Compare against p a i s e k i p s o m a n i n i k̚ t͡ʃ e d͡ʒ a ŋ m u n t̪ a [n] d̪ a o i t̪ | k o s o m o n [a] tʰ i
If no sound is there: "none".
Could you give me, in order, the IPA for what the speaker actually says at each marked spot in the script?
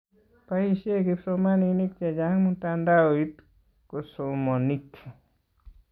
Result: n, i

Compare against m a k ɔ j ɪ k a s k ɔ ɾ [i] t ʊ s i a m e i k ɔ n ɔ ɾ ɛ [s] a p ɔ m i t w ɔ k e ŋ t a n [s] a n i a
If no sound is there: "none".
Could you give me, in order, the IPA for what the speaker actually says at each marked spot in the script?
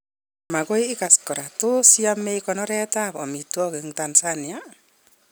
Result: a, t, s

